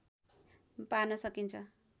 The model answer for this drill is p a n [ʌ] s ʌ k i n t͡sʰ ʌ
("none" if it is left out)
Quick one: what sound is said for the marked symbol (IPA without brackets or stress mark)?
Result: ʌ